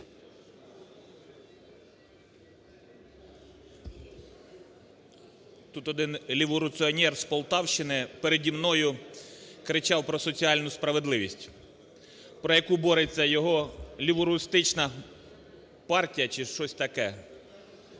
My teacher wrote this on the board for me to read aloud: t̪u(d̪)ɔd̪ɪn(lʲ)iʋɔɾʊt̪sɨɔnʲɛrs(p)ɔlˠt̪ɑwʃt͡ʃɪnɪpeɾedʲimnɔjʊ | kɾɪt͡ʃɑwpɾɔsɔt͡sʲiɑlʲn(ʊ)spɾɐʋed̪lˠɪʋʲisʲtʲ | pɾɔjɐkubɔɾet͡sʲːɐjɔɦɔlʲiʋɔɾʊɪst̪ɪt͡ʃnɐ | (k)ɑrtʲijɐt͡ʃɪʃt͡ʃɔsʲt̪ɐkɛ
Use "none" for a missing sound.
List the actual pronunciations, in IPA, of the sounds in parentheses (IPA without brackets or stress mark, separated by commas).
t̪, lʲ, p, ʊ, p